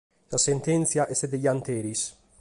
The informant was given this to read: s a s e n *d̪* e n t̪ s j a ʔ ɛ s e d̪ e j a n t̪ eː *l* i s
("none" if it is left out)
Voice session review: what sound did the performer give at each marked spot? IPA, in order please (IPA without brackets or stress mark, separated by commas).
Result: t̪, ɾ